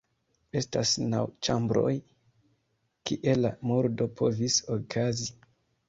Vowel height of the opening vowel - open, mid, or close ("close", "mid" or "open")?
mid